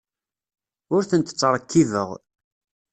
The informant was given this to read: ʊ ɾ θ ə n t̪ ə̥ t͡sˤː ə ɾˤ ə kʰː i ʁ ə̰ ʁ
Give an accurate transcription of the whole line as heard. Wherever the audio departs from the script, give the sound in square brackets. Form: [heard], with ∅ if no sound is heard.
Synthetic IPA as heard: ʊ ɾ θ ə n t̪ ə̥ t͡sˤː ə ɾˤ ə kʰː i [ð] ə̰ ʁ